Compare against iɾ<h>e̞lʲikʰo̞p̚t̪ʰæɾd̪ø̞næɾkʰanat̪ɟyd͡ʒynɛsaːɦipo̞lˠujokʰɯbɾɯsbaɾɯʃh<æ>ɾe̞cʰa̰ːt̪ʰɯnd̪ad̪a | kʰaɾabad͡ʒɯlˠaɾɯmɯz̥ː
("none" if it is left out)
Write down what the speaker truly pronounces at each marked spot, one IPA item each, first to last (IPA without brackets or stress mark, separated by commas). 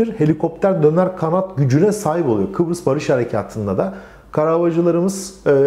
h, a